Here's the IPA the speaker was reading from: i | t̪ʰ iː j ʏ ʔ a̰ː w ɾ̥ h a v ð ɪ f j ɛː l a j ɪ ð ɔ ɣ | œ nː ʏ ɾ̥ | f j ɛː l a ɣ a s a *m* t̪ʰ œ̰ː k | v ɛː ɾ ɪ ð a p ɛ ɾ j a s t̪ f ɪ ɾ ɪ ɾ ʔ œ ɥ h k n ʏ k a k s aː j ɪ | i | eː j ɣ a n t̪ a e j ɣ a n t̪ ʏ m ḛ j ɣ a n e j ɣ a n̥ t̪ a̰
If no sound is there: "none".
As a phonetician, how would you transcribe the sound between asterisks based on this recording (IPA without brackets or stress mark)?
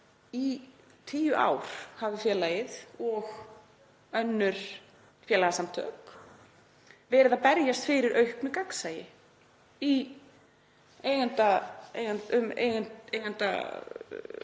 m